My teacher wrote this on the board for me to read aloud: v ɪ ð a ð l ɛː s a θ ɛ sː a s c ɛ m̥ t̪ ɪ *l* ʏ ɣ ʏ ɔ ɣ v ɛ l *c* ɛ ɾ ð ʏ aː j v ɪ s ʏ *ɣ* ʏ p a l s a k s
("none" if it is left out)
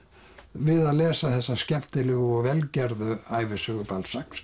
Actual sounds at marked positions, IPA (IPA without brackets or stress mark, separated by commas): l, c, ɣ